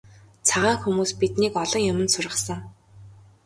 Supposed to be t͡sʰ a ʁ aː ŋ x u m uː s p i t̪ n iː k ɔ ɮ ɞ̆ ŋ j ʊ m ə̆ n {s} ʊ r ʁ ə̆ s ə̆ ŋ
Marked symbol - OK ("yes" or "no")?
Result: yes